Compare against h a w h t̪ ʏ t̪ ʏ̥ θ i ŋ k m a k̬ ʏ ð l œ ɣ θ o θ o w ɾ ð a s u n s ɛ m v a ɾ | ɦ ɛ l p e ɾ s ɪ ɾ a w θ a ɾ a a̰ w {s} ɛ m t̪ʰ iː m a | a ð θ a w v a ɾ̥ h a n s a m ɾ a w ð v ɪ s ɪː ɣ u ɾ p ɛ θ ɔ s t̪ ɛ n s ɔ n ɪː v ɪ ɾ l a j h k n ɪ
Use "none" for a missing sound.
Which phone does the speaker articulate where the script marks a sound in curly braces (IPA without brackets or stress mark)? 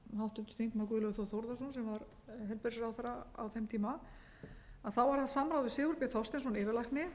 θ